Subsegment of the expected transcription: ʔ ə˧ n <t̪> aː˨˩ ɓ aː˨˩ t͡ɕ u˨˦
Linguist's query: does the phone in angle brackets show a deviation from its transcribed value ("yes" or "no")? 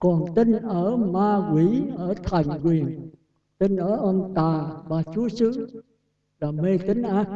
no